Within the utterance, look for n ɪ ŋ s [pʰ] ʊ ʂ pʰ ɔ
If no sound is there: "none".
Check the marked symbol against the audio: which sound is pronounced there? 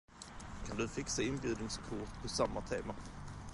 kʰ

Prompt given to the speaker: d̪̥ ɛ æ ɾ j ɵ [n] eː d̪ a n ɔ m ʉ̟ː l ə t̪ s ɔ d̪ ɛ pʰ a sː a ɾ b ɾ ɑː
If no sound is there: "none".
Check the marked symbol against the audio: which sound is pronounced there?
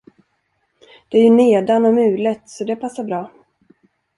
n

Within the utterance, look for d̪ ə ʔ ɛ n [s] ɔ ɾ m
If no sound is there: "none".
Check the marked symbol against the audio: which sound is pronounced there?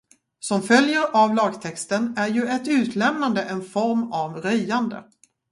f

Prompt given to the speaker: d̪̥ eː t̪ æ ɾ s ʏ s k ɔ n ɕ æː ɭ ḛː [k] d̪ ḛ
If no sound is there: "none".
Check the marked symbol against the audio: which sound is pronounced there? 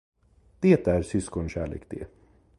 k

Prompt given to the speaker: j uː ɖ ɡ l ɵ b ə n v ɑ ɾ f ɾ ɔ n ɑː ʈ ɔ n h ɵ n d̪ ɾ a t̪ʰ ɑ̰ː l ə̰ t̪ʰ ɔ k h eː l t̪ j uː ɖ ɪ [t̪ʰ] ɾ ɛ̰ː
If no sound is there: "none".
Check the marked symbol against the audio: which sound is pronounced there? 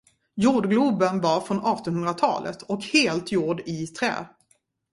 t̪ʰ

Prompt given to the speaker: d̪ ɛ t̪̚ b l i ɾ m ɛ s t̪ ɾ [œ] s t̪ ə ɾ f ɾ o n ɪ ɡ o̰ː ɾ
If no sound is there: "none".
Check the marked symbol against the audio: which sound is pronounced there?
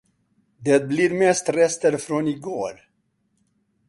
ɛ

